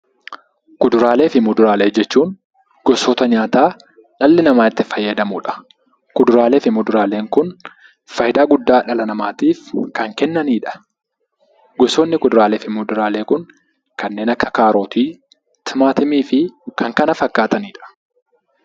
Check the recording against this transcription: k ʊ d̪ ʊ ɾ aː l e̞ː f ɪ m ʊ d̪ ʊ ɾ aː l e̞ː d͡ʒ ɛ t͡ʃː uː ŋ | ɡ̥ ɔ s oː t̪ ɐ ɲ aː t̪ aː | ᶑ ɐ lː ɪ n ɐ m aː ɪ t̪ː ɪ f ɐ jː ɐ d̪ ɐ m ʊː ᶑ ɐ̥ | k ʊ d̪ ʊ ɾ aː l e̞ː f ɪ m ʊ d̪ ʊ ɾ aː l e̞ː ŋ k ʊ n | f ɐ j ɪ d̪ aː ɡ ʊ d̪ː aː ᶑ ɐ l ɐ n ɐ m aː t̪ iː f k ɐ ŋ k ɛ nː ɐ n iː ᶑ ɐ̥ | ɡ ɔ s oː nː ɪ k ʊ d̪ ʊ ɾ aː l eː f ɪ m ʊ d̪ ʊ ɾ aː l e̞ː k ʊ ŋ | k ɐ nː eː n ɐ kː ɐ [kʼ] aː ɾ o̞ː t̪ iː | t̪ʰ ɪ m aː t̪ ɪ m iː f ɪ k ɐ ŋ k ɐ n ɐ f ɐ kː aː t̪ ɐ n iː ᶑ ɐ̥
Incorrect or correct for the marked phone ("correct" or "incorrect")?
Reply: incorrect